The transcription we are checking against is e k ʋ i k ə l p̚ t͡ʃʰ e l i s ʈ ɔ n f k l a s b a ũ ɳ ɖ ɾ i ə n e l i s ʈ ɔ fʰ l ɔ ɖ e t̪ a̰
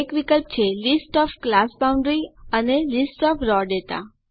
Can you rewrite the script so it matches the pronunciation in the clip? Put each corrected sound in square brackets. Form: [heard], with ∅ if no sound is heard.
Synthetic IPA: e k ʋ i k ə l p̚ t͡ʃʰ e l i s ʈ ɔ [∅] f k l a s b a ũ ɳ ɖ ɾ i ə n e l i s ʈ ɔ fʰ [ɾ] ɔ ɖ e t̪ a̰